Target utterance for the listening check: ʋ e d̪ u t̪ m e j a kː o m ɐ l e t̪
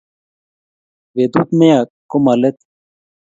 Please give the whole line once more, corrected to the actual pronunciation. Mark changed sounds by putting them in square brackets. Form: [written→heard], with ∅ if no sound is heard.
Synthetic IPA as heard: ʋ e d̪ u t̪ m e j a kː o m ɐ l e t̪